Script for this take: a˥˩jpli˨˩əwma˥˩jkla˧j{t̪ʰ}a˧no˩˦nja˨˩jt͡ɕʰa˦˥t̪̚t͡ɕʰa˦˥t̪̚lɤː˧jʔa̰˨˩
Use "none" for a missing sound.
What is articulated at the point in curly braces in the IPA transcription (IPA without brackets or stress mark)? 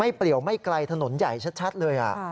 t̪ʰ